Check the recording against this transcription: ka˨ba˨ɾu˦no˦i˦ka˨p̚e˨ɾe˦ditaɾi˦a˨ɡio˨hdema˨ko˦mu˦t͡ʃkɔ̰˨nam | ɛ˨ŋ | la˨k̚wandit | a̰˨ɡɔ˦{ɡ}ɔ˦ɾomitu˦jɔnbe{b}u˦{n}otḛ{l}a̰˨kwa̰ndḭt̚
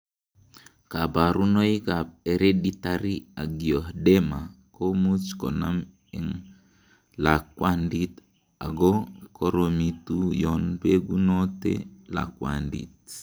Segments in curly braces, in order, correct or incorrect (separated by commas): incorrect, incorrect, correct, correct